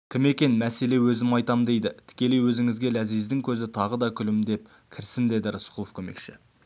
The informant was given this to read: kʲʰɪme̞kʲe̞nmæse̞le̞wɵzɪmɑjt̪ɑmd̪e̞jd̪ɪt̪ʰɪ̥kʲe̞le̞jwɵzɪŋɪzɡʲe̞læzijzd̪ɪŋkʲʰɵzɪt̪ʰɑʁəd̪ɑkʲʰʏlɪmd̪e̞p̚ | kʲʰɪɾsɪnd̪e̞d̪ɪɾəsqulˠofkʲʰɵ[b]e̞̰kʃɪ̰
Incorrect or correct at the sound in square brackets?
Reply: incorrect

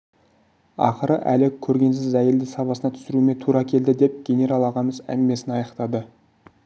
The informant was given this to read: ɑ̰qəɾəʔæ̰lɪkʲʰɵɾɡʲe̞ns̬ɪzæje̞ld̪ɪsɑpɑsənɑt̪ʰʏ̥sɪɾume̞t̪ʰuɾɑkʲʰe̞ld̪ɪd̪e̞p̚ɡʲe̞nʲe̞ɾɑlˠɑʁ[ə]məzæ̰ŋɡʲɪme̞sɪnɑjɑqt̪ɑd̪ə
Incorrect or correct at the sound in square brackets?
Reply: incorrect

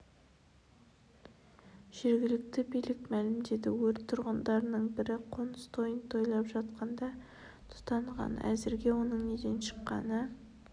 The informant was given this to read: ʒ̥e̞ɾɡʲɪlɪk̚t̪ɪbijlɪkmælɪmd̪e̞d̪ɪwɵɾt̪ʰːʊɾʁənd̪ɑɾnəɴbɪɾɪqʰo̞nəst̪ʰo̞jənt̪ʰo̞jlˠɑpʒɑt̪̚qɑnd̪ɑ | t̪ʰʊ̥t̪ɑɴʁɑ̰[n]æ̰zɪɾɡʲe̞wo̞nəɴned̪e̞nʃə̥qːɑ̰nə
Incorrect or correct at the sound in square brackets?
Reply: correct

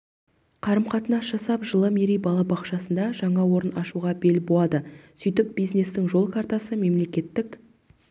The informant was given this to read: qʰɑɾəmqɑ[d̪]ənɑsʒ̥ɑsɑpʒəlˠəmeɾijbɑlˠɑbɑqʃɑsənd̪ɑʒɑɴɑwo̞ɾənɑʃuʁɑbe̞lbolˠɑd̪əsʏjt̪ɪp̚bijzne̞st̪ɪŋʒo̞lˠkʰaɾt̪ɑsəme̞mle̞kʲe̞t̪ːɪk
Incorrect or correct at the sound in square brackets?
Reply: incorrect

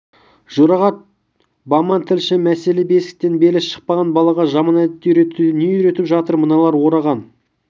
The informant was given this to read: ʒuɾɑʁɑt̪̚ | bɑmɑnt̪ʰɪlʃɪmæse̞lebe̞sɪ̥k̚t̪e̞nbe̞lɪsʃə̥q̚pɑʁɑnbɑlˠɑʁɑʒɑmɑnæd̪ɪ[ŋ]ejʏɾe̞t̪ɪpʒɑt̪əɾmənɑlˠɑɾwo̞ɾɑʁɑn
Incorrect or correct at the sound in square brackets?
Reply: incorrect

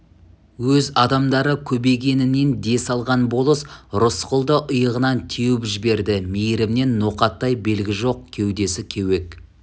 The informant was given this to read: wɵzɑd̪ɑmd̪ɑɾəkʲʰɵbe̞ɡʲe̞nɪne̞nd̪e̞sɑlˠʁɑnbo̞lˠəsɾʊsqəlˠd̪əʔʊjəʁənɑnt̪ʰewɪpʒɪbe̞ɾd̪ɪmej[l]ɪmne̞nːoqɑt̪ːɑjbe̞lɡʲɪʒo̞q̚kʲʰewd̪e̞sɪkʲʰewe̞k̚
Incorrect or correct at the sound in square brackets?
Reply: incorrect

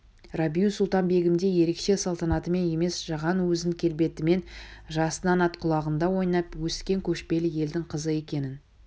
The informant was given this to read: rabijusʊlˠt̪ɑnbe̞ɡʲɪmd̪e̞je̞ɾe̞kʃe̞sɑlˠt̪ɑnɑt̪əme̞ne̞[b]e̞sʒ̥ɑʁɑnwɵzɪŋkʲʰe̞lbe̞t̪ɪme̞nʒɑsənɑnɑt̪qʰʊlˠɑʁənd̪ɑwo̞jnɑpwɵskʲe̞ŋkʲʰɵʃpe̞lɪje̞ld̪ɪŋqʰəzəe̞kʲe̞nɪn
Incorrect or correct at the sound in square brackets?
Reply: incorrect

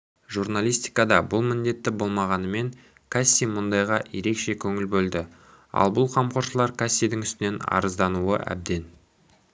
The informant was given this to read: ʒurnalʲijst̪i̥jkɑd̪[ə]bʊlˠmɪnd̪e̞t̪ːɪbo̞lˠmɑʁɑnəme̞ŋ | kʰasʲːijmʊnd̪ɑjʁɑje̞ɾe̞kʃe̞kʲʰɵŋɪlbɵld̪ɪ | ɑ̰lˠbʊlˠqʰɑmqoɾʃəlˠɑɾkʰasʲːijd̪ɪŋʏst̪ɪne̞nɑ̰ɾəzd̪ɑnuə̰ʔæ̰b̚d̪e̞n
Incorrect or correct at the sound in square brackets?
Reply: incorrect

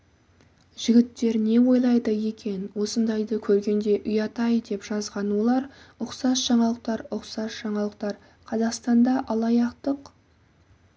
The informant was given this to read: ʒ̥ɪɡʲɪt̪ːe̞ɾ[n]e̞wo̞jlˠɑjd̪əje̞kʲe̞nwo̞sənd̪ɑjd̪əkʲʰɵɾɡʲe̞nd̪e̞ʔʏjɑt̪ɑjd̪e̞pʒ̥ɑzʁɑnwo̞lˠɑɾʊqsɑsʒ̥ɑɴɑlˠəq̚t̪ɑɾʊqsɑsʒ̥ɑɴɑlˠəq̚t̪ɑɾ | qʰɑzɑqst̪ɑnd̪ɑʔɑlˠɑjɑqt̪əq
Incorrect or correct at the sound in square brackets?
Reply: correct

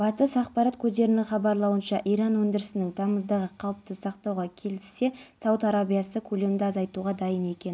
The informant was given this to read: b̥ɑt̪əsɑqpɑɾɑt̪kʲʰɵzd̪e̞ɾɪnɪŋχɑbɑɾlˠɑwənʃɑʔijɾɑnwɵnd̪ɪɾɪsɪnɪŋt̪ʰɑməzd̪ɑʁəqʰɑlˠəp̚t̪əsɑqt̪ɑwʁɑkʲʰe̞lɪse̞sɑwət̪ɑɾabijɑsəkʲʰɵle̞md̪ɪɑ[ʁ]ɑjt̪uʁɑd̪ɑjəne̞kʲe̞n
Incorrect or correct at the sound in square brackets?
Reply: incorrect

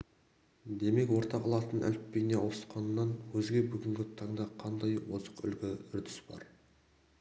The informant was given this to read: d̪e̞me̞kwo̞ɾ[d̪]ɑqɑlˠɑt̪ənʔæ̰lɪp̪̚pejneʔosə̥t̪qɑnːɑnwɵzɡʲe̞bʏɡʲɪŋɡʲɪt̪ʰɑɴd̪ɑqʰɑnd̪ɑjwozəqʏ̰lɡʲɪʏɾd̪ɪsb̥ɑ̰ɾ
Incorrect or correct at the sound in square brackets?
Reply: incorrect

